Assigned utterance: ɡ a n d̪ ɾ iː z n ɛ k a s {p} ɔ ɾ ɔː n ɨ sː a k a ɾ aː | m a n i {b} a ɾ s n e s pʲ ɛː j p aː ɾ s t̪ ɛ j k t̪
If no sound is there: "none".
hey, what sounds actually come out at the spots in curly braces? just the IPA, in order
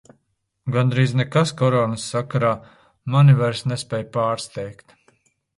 k, v

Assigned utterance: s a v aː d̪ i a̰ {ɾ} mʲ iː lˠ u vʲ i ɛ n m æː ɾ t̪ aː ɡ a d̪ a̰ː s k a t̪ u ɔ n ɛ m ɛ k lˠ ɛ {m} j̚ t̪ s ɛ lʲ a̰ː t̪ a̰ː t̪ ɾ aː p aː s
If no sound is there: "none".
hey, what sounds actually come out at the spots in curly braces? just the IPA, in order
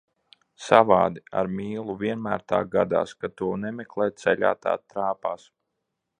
ɾ, none

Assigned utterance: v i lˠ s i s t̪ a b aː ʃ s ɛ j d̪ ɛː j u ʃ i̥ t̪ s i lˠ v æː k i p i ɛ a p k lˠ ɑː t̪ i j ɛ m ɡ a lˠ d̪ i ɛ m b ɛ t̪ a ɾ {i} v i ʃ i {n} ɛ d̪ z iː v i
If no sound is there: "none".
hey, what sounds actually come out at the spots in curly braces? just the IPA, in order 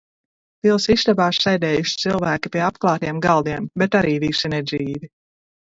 iː, n

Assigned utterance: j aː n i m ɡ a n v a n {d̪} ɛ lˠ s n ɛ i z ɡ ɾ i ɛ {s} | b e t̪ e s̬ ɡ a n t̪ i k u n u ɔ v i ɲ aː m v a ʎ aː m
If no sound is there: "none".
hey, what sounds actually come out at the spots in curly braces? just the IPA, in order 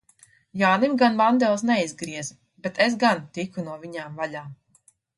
d̪, z

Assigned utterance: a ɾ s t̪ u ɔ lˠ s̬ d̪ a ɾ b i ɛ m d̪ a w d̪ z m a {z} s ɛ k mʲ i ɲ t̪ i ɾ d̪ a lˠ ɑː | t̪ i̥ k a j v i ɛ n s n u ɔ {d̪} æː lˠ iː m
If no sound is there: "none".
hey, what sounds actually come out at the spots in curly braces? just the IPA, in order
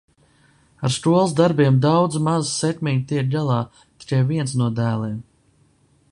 z, d̪

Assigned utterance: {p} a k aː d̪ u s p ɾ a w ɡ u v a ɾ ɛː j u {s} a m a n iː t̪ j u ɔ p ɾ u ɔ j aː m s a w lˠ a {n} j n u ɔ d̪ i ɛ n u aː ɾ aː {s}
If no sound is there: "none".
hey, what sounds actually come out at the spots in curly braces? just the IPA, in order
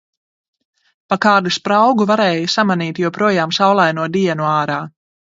p, s, none, none

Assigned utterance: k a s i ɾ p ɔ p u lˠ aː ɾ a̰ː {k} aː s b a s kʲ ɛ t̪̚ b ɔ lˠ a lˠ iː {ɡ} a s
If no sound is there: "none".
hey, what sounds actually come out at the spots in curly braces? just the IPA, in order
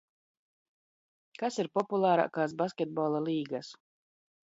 k, ɡ

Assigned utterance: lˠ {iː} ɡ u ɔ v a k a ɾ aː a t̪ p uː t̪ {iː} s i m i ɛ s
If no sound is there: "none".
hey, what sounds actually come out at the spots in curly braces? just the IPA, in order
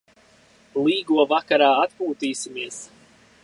iː, iː

